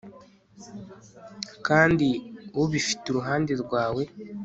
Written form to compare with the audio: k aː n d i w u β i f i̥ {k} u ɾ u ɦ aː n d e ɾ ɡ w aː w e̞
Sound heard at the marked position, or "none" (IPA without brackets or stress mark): t